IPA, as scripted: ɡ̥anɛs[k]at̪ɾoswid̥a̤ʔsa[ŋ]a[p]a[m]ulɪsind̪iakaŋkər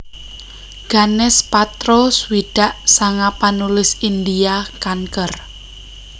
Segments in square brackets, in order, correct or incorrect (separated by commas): incorrect, correct, correct, incorrect